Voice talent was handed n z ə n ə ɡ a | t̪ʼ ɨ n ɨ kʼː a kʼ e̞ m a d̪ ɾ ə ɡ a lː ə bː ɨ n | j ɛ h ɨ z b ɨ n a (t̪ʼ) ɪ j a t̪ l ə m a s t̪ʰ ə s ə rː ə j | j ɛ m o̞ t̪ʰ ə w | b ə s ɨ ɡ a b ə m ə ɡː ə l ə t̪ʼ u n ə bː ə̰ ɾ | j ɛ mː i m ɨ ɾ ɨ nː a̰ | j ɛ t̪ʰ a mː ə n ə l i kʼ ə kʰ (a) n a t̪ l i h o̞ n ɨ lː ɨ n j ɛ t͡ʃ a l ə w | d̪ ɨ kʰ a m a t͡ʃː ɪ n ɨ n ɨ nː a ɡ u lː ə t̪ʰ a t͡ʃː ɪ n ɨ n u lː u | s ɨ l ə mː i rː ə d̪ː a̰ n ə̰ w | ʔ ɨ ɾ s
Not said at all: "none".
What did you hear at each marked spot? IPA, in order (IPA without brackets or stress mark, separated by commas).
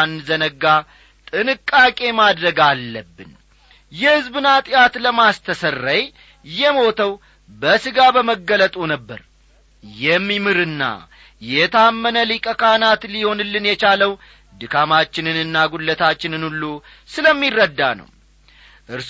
t̪ʼ, a